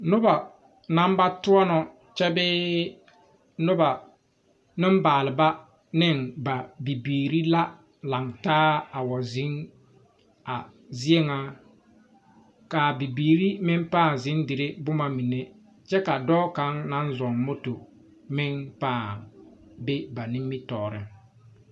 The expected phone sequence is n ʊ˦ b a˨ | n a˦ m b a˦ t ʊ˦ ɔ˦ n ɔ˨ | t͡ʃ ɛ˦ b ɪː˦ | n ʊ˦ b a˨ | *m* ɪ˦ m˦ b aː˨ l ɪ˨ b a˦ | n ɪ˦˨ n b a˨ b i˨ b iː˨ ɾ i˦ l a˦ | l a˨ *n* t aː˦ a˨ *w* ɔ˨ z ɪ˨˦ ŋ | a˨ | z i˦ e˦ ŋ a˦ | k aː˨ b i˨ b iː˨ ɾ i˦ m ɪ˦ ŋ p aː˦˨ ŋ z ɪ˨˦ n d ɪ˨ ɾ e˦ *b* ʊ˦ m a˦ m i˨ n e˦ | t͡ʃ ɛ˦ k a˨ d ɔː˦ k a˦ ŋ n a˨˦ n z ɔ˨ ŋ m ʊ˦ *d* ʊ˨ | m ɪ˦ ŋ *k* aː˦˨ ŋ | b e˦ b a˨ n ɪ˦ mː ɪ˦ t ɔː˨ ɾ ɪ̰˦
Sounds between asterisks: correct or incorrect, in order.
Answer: incorrect, incorrect, correct, correct, incorrect, incorrect

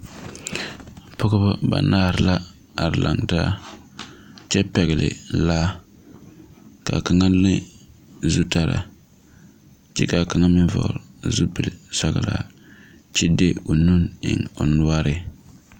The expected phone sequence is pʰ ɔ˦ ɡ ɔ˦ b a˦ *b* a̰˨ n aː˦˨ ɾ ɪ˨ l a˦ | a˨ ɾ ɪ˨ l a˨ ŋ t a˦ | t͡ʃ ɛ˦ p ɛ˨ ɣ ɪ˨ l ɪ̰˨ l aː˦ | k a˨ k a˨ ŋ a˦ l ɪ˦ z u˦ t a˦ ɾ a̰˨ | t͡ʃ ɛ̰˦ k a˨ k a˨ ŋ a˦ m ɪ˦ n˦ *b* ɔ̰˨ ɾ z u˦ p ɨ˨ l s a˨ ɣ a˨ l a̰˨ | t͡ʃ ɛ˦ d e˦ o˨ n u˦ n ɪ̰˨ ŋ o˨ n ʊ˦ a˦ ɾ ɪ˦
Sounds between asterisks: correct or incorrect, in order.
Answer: correct, incorrect

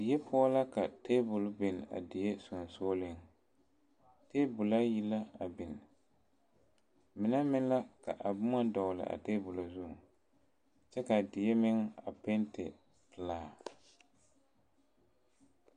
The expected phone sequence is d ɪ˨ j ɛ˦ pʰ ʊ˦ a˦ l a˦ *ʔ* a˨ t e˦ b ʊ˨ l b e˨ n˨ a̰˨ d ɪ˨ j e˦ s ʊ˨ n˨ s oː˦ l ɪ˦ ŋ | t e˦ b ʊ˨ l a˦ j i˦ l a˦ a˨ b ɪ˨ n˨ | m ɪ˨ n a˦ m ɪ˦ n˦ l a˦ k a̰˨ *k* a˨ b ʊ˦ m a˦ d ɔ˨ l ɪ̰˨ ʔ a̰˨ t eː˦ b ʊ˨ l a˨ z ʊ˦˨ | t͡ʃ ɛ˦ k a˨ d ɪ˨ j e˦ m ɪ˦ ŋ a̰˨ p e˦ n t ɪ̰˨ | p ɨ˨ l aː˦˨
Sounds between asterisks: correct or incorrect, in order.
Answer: incorrect, incorrect

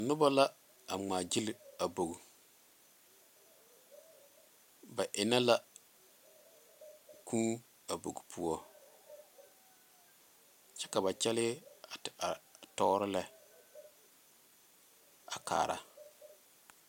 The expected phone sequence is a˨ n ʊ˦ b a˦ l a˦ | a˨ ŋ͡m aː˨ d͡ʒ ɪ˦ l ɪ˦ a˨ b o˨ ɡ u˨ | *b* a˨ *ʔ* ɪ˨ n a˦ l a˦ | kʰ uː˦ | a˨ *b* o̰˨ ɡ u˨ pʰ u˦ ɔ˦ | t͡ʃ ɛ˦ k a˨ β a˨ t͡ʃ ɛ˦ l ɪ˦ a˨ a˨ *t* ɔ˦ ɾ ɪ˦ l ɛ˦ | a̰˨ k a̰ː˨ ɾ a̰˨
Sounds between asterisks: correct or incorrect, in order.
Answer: correct, correct, correct, correct

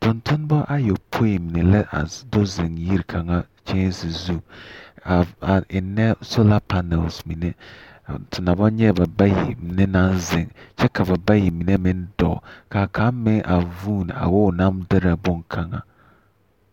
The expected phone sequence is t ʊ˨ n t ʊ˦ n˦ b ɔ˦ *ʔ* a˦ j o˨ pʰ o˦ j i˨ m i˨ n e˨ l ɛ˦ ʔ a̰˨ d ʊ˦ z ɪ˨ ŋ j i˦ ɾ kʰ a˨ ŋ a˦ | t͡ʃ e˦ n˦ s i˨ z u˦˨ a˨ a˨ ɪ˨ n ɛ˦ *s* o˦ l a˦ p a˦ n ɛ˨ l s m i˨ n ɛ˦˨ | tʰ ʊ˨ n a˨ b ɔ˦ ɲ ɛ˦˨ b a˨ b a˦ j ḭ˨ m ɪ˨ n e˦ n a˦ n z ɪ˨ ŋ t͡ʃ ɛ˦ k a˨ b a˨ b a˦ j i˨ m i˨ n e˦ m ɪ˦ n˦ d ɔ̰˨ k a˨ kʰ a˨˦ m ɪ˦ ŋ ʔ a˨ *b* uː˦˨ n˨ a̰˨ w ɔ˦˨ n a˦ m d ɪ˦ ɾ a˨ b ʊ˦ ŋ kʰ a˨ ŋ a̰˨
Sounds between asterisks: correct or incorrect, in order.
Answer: correct, correct, incorrect

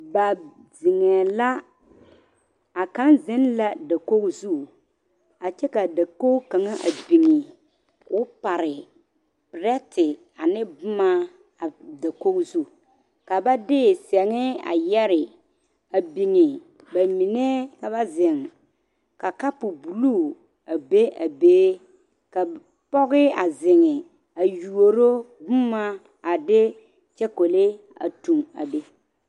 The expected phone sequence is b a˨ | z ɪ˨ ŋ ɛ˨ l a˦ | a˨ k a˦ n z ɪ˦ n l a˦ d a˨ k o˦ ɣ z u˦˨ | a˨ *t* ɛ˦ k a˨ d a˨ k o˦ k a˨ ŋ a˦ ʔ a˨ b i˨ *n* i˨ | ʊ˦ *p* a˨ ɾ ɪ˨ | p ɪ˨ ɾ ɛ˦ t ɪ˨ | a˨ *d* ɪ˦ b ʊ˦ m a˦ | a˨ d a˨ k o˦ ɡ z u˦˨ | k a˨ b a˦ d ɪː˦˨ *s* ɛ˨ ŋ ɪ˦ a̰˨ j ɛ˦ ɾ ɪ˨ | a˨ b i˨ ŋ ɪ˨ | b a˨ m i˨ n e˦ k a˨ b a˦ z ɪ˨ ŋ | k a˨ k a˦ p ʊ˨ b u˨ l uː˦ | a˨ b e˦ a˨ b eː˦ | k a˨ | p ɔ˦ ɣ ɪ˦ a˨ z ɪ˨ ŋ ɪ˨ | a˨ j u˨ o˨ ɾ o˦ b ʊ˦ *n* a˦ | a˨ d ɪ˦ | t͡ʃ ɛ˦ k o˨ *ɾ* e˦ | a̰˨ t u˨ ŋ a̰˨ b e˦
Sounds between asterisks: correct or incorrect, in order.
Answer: incorrect, incorrect, correct, incorrect, correct, incorrect, incorrect

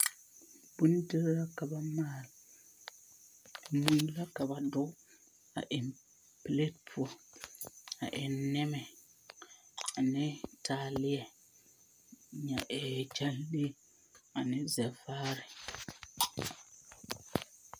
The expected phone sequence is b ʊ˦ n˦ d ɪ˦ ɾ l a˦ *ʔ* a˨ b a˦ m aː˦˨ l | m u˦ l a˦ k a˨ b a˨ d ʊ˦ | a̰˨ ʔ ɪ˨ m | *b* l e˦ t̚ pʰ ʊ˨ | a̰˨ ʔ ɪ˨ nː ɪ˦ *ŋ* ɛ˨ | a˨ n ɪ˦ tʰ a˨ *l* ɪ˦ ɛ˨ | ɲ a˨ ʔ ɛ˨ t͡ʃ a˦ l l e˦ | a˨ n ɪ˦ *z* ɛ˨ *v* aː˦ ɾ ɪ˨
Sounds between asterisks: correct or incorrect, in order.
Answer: incorrect, incorrect, incorrect, correct, correct, incorrect

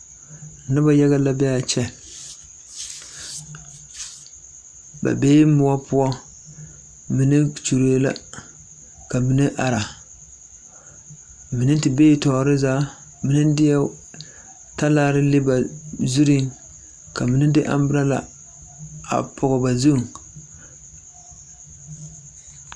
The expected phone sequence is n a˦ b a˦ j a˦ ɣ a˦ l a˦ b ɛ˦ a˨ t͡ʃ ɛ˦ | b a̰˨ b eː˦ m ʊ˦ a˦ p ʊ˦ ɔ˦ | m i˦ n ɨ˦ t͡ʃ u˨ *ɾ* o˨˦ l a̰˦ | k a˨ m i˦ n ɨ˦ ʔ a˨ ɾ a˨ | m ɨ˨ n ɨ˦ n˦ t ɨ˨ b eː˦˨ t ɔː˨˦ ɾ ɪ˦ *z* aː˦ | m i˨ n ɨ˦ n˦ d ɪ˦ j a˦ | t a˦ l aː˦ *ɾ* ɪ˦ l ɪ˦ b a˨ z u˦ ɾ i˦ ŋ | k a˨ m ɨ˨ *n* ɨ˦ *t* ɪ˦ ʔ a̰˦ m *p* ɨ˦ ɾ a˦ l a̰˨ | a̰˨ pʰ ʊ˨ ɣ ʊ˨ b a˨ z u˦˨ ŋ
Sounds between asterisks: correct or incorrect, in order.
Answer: correct, correct, correct, correct, incorrect, incorrect

